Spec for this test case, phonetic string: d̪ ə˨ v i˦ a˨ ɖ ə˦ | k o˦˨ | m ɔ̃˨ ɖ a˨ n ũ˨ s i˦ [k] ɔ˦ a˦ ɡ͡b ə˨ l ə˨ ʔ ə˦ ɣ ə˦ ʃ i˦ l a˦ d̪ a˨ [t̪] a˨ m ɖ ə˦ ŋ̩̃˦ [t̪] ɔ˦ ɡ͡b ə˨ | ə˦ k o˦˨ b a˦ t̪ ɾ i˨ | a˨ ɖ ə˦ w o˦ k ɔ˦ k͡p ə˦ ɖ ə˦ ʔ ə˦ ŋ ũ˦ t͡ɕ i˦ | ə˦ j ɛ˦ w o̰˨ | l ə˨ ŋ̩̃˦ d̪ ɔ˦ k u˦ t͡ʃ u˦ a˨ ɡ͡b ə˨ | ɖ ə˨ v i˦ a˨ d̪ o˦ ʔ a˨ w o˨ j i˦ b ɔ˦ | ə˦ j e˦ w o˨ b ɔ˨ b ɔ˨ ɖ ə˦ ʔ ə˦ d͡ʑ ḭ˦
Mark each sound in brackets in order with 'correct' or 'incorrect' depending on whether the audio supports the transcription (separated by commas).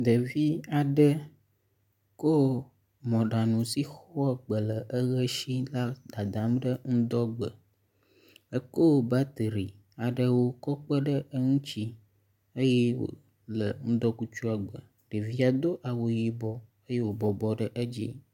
incorrect, incorrect, incorrect